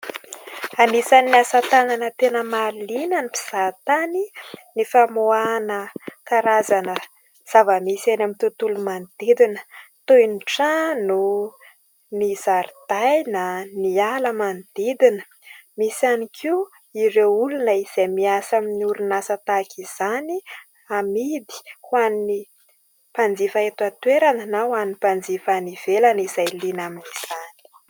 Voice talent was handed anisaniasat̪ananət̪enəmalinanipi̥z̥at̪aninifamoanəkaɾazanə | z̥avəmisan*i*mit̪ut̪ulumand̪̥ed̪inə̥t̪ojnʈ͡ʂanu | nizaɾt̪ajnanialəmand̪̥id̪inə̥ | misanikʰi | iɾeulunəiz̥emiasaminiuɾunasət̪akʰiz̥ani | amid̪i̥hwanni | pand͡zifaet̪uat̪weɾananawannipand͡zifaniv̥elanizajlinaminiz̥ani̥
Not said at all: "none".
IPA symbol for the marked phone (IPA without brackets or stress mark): a